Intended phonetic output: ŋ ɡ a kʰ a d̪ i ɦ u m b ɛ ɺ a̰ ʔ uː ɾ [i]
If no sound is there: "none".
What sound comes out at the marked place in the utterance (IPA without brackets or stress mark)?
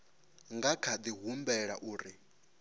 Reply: i